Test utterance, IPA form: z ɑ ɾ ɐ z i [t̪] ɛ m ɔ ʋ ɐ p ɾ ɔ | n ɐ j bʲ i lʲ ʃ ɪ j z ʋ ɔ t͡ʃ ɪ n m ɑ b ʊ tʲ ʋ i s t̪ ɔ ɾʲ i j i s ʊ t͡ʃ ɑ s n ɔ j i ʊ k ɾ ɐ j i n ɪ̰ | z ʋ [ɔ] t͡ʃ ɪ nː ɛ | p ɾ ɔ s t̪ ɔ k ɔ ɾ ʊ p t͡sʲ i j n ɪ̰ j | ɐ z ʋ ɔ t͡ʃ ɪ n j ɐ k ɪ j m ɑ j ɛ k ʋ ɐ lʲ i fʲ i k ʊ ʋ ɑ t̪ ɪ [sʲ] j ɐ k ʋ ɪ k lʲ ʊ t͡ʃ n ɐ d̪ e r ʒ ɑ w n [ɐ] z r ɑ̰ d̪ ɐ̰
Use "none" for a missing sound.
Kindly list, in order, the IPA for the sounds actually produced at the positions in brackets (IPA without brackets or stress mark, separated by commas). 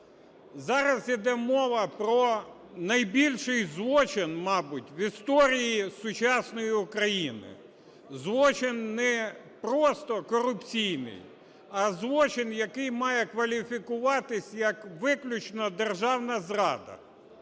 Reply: d̪, ɔ, sʲ, ɐ